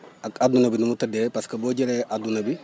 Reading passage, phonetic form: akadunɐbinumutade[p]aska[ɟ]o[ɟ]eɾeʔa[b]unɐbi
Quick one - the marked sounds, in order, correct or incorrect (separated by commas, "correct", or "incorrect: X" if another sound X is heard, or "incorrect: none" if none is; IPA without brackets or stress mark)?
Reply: correct, incorrect: b, correct, incorrect: d